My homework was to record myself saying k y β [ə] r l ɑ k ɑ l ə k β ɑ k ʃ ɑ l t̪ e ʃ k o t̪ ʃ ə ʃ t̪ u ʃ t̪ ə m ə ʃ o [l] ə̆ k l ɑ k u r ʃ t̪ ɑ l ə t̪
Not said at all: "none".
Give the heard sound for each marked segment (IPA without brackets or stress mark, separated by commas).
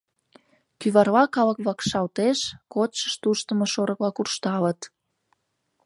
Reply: ɑ, ɾ